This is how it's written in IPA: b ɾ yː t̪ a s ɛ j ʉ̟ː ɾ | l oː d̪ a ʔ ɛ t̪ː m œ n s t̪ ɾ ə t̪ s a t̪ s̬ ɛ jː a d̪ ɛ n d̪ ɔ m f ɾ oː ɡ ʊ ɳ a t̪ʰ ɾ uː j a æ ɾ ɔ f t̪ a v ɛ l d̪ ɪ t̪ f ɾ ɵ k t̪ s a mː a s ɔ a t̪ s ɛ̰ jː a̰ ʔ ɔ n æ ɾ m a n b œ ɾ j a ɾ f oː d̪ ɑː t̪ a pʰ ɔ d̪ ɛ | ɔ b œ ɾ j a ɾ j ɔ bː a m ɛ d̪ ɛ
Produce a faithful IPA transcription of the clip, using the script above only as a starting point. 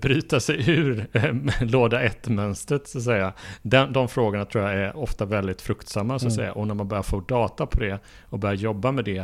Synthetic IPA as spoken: b ɾ yː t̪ a s ɛ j ʉ̟ː ɾ | l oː d̪ a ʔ ɛ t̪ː m œ n s t̪ ɾ ə t̪ s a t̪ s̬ ɛ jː a d̪ ɛ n d̪ ɔ m f ɾ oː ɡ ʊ ɳ a t̪ʰ ɾ uː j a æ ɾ ɔ f t̪ a v ɛ l d̪ ɪ t̪ f ɾ ɵ k t̪ s a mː a s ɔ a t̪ s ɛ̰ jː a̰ ʔ ɔ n æ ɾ m a n b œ ɾ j a ɾ f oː d̪ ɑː t̪ a pʰ ɔ d̪ ɛ | ɔ b œ ɾ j a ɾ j ɔ bː a m ɛ d̪ ɛ